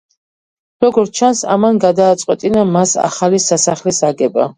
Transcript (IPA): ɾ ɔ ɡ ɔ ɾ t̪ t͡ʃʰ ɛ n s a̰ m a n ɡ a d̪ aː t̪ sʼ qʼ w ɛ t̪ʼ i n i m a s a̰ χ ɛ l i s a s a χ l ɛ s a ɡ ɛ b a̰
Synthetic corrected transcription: ɾ ɔ ɡ ɔ ɾ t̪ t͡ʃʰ a n s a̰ m a n ɡ a d̪ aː t̪ sʼ qʼ w ɛ t̪ʼ i n a m a s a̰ χ a l i s a s a χ l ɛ s a ɡ ɛ b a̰